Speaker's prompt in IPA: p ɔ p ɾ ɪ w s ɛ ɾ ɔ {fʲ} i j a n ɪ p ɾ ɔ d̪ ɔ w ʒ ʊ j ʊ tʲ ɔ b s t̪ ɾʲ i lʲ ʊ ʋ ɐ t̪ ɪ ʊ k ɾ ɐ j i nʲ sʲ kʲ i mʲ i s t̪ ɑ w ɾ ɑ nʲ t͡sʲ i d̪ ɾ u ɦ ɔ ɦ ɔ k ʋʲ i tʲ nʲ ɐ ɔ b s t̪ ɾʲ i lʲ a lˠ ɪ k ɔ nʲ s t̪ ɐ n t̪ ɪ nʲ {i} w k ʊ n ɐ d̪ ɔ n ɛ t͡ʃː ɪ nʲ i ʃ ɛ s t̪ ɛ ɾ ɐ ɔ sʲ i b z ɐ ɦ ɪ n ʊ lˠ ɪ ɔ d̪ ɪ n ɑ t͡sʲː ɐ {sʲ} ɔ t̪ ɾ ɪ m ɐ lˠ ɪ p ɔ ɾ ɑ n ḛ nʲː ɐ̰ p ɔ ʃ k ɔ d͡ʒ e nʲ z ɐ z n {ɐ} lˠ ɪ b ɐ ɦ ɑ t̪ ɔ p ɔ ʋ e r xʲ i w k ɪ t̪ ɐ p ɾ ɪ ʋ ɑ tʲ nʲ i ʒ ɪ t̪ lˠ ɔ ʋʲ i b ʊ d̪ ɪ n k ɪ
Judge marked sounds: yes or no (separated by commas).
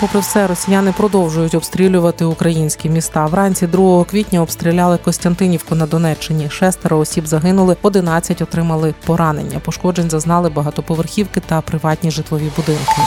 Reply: no, yes, no, no